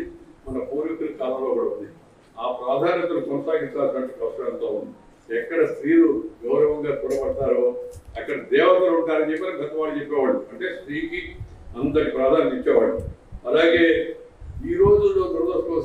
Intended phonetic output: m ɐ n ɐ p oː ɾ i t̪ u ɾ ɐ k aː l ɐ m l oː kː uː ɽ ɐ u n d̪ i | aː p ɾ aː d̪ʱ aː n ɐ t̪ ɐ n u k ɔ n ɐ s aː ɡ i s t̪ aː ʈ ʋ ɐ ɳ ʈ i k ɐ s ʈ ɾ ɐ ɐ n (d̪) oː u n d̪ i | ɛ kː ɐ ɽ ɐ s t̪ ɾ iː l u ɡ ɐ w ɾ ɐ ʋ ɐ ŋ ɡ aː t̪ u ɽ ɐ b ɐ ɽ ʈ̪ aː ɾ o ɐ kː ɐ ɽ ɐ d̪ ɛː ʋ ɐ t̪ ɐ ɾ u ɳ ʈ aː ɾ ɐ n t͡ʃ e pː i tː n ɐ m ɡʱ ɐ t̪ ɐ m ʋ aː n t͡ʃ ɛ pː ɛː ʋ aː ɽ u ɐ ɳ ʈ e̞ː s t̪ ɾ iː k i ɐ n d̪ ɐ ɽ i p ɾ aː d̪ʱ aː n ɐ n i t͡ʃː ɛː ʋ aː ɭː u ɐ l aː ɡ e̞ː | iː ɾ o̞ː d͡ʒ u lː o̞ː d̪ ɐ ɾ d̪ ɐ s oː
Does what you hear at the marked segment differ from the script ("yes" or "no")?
yes